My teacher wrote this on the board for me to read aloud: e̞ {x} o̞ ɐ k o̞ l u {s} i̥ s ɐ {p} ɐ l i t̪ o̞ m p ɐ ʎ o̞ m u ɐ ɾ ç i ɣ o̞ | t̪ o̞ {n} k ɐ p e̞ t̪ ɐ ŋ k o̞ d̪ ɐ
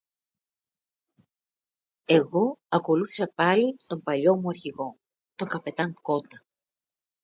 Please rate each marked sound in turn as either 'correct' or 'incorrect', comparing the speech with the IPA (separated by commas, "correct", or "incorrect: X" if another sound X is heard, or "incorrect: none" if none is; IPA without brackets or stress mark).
incorrect: ɣ, incorrect: θ, correct, incorrect: ŋ